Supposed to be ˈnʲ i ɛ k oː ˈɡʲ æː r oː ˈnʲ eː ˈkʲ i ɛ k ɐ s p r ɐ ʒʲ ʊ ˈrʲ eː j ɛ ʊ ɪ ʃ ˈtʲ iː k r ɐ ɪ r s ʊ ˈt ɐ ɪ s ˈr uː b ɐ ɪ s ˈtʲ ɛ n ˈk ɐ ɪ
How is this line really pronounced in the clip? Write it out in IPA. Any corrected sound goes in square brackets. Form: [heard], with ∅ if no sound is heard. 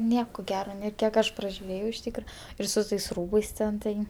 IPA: ˈnʲ i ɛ k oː ˈɡʲ æː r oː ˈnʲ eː ˈkʲ i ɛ k ɐ [ʃ] p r ɐ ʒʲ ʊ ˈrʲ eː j ɛ ʊ ɪ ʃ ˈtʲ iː k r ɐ ɪ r s ʊ ˈt ɐ ɪ s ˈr uː b ɐ ɪ s ˈtʲ ɛ n [ˈt] ɐ ɪ